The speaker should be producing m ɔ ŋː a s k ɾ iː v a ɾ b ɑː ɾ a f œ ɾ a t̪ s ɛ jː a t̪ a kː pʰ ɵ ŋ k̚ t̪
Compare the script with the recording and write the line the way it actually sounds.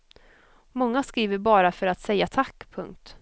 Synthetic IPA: m ɔ ŋː a s k ɾ iː v ə ɾ b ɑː ɾ a f œ ɾ a t̪ s ɛ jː a t̪ʰ a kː pʰ ɵ ŋ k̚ t̪